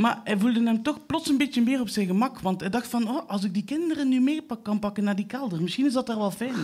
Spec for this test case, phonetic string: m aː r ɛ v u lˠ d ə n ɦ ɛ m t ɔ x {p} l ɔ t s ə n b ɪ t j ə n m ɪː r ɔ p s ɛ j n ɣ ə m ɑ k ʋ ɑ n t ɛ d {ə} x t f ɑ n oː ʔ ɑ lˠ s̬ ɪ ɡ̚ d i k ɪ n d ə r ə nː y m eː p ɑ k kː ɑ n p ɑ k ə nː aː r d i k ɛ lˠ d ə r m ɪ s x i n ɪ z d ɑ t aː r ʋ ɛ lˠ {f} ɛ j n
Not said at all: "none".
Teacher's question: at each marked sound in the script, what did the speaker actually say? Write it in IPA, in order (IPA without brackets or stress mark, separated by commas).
p, ɑ, f